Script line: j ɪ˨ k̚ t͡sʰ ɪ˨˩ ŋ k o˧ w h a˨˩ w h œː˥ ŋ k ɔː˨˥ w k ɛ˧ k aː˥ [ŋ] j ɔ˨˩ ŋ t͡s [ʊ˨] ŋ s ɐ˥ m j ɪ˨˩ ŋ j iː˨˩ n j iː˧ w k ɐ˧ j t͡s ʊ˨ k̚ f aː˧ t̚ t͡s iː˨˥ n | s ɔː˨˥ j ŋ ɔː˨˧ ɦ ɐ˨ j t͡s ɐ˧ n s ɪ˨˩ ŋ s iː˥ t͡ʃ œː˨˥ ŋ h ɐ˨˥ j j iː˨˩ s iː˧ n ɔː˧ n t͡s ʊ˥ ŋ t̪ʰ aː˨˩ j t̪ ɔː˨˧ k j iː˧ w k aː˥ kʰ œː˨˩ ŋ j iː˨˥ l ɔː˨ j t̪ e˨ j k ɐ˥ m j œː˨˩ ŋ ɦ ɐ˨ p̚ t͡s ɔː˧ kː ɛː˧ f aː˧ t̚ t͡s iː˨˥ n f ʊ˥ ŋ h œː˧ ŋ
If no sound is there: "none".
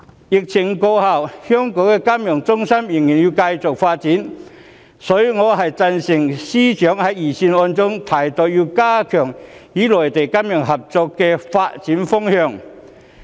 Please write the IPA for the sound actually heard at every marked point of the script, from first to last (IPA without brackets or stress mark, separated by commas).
m, ʊ˥